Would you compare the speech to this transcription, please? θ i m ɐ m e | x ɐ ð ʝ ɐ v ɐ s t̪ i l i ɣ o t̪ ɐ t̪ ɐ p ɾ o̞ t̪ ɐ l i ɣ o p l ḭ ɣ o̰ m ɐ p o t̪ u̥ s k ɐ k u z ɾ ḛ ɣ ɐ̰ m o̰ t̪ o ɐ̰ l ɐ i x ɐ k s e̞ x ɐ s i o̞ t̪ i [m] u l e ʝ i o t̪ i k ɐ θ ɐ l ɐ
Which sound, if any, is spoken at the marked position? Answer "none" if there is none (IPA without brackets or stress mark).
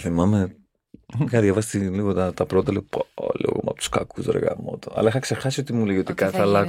m